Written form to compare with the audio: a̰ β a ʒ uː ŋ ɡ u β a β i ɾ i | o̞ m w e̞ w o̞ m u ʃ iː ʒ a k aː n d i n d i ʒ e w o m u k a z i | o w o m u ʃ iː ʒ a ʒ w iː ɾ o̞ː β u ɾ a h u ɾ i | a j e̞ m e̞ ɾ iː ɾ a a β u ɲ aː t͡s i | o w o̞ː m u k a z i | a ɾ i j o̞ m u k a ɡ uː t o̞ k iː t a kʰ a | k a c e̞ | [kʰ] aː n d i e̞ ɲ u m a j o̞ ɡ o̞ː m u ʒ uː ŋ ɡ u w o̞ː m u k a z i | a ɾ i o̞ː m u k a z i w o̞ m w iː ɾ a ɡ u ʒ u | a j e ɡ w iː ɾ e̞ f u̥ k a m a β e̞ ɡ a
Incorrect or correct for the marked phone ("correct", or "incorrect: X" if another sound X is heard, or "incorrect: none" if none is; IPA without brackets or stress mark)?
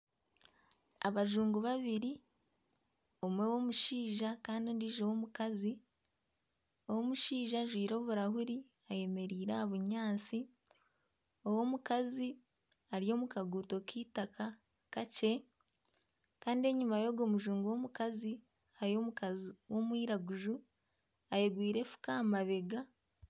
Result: incorrect: k